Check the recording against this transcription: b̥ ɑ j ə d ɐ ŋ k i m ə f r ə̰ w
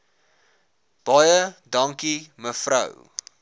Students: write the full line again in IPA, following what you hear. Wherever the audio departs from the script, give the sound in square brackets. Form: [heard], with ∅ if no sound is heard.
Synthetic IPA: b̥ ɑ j ə d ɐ ŋ k i m ə f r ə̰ w